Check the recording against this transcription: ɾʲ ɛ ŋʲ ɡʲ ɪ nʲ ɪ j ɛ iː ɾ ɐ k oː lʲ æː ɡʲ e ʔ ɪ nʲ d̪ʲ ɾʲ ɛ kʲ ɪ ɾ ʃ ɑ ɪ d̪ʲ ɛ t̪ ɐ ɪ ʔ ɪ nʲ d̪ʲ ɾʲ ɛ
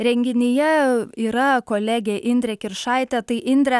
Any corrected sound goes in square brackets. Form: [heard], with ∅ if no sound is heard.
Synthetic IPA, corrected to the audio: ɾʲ ɛ ŋʲ ɡʲ ɪ nʲ ɪ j ɛ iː ɾ ɐ k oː lʲ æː ɡʲ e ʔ ɪ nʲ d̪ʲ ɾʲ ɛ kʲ ɪ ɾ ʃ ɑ ɪ [t̪ʲ] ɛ t̪ ɐ ɪ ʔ ɪ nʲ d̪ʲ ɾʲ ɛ